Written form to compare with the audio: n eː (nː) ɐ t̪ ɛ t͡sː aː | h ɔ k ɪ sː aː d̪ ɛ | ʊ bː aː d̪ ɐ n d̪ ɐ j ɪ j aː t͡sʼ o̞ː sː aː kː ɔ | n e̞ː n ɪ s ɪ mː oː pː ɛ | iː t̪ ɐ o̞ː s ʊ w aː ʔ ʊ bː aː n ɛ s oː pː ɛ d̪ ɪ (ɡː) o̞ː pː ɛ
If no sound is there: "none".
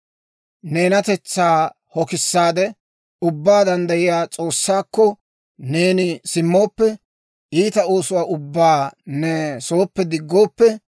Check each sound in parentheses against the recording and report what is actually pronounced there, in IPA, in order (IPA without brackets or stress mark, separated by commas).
n, ɡː